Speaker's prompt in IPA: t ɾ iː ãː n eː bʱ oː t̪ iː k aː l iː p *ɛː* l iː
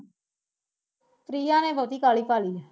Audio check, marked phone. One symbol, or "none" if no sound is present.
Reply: aː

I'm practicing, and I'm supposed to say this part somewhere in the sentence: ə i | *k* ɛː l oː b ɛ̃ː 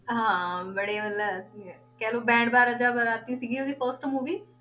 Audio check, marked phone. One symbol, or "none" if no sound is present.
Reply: k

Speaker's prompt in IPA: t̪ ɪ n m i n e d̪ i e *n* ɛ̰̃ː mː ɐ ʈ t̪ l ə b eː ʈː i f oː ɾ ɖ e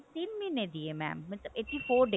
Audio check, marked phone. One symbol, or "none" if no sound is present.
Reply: m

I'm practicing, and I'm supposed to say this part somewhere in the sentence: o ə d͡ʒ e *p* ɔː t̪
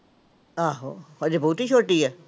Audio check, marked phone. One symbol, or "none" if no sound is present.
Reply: b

